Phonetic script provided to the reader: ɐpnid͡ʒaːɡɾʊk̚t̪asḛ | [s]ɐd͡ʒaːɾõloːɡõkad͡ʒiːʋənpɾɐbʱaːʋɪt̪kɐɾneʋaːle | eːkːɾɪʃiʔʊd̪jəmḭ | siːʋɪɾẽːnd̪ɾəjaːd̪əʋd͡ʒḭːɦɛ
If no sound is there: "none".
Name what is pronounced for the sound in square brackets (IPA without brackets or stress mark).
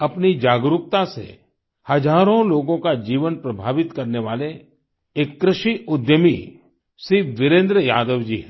h